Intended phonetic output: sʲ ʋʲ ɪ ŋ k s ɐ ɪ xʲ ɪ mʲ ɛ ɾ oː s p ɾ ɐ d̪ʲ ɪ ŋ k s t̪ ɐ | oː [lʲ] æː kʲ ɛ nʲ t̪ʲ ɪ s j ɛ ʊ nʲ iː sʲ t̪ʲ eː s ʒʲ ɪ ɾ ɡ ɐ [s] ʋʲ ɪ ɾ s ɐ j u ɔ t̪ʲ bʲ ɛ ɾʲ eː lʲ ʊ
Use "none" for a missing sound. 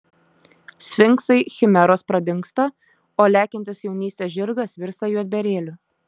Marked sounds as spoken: lʲ, s

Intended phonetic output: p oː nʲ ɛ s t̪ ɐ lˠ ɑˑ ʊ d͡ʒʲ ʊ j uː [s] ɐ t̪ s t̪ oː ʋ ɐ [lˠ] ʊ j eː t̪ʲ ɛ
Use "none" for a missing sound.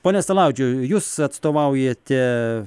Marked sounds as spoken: s, none

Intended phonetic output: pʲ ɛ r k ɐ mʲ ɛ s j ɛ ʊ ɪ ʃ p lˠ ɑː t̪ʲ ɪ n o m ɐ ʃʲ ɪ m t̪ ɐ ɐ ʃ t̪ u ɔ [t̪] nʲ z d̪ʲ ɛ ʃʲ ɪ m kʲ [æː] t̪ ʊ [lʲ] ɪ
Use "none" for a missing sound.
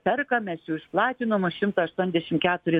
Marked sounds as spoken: none, æː, ɾʲ

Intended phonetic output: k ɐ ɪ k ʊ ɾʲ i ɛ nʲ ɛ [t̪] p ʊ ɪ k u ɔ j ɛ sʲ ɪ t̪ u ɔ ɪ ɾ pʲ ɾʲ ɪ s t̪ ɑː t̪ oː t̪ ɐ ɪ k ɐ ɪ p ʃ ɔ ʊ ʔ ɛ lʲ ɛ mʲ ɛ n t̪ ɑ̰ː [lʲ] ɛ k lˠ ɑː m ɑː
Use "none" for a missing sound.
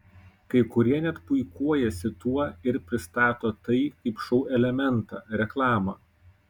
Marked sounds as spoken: t̪, ɾʲ

